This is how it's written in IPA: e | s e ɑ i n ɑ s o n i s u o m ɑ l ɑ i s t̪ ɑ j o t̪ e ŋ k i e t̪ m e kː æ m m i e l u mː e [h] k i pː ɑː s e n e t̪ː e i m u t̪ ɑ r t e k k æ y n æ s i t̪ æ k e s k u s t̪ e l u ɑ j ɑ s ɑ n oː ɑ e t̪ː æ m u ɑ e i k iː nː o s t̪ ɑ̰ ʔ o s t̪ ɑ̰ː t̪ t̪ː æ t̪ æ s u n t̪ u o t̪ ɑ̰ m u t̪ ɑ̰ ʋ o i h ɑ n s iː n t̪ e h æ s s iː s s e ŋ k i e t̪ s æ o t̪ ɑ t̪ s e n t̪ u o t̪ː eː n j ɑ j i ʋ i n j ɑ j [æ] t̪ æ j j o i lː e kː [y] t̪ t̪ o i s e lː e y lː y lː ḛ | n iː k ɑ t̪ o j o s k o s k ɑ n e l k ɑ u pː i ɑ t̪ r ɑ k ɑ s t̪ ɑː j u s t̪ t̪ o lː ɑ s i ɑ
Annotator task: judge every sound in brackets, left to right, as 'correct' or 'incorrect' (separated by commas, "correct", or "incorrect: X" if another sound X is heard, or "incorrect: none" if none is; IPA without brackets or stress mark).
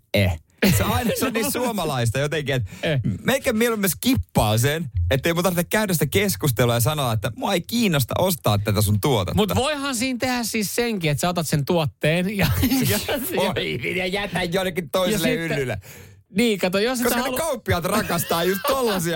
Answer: incorrect: s, correct, incorrect: i